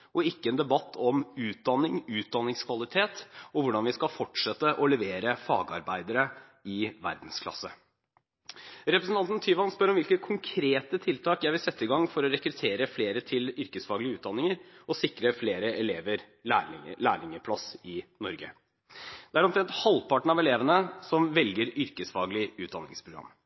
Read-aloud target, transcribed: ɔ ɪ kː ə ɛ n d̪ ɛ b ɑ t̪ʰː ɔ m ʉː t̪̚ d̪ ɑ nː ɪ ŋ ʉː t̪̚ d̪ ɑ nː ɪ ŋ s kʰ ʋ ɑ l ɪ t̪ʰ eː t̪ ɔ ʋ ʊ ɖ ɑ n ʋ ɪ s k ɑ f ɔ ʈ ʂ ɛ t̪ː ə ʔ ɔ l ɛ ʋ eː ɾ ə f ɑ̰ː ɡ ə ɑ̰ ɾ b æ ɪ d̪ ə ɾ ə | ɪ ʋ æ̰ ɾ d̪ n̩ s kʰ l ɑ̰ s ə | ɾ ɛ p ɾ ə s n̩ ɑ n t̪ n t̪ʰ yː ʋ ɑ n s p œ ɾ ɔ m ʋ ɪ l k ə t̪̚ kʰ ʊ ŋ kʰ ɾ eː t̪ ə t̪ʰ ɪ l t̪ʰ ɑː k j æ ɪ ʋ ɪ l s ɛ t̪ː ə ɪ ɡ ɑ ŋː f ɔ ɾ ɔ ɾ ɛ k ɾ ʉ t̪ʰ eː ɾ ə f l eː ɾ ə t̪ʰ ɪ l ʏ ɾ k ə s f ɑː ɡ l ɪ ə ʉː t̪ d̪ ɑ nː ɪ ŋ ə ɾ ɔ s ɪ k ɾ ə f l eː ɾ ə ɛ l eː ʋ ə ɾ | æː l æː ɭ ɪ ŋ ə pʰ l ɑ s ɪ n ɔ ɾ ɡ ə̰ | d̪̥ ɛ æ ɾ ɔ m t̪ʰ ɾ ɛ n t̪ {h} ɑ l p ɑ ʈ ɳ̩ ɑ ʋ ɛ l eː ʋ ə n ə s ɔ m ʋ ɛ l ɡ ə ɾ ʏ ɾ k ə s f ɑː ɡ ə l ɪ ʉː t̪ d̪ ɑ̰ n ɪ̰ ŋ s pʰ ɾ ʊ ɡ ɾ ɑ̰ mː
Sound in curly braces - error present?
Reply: no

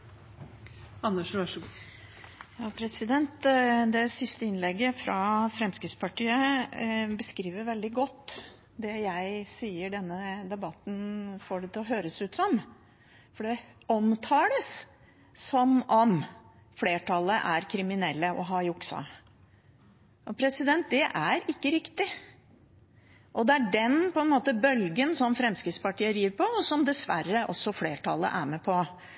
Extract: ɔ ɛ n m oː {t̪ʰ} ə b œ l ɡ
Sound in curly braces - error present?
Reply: yes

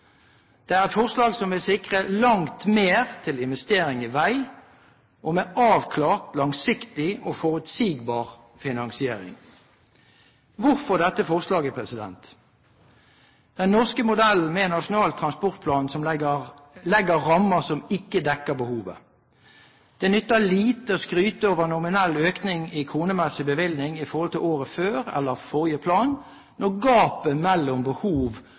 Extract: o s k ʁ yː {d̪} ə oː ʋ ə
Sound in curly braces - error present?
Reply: yes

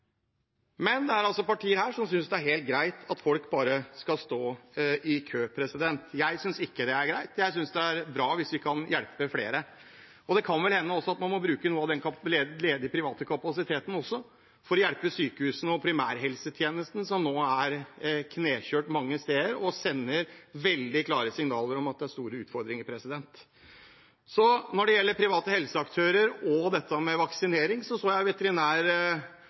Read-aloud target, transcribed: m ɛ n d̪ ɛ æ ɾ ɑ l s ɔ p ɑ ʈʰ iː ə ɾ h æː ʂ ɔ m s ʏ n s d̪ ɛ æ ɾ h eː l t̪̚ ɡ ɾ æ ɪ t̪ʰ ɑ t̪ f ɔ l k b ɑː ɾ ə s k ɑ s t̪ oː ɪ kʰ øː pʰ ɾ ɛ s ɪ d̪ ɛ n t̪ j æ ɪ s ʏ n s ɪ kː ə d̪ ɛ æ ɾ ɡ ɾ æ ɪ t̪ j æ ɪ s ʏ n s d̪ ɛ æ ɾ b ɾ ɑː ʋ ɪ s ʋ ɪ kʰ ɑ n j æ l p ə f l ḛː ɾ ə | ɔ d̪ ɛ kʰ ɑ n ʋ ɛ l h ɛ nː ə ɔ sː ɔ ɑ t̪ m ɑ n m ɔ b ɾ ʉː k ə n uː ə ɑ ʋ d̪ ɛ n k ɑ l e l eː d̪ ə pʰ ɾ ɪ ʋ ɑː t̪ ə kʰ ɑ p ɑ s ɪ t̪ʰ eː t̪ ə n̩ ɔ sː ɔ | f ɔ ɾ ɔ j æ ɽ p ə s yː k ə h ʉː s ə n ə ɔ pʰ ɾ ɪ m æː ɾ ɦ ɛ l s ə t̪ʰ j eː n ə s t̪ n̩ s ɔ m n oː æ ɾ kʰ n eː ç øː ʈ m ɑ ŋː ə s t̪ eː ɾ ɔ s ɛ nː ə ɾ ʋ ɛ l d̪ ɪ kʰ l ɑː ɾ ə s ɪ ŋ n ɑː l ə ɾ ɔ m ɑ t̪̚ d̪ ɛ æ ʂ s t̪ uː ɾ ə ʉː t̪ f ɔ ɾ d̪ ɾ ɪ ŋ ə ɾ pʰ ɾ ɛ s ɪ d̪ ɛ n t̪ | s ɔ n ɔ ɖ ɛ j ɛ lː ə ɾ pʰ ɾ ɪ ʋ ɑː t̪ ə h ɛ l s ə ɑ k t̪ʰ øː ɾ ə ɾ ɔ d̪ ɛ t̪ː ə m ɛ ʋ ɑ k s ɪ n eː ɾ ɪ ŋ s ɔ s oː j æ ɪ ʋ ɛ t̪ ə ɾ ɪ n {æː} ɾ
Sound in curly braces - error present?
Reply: no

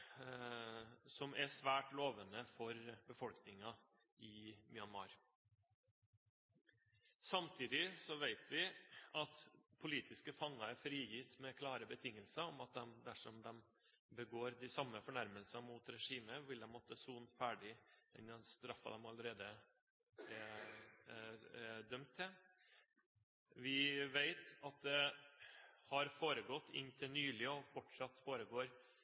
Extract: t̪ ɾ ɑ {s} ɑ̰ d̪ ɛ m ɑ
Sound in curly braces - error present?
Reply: yes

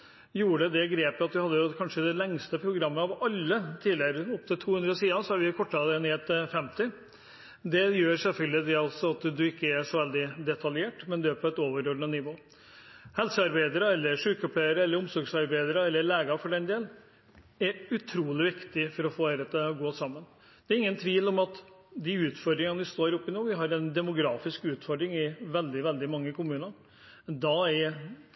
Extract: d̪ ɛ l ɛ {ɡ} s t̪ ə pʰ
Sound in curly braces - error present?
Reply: yes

